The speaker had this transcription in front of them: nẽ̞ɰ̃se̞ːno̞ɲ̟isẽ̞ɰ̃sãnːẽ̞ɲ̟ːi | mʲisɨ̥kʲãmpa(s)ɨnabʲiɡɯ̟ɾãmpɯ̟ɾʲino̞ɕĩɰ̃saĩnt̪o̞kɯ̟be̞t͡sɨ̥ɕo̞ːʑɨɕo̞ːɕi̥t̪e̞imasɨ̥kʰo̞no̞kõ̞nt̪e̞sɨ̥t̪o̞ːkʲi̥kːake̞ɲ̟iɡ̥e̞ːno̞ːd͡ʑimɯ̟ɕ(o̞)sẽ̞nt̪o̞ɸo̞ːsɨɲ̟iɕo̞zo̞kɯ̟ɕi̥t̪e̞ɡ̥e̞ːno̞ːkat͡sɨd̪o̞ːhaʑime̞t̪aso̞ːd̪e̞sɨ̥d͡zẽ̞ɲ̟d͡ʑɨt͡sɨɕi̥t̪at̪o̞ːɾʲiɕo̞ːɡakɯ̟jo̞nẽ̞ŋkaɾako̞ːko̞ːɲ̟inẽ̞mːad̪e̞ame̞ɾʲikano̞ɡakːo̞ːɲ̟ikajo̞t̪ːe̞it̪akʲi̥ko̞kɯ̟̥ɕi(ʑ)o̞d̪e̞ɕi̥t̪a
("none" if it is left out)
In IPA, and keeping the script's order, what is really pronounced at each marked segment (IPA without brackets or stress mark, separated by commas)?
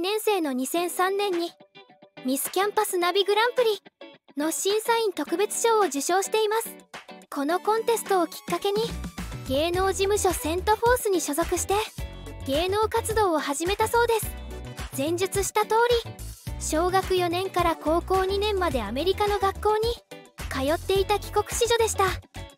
s, o̞, ʑ